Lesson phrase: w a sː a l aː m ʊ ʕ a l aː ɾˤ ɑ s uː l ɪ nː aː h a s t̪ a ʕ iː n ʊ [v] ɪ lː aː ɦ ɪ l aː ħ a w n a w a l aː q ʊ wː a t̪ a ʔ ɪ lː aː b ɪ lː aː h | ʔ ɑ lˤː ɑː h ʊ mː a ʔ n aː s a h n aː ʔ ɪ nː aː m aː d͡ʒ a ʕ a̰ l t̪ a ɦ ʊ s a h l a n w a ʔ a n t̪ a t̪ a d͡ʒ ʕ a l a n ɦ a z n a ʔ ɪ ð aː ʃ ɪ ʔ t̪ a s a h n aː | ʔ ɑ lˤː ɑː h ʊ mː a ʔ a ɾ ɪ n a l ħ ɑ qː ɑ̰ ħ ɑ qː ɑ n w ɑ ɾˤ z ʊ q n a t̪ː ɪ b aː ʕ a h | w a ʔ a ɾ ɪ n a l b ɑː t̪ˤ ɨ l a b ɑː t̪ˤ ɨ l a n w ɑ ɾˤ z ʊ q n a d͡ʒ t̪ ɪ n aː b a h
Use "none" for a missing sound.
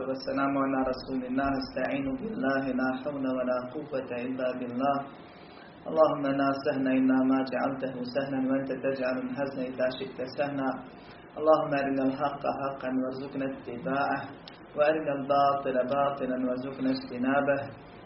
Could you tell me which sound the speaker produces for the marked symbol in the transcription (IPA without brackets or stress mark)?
b